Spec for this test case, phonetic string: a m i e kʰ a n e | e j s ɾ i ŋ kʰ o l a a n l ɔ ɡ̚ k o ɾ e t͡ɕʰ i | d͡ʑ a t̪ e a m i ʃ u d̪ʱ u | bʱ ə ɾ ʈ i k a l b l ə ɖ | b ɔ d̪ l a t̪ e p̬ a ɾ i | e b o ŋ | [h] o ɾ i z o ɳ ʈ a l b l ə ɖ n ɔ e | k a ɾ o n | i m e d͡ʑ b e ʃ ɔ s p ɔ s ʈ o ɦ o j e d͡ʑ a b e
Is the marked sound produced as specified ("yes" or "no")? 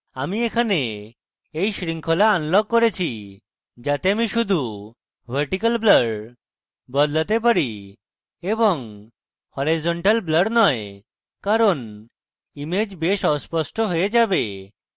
yes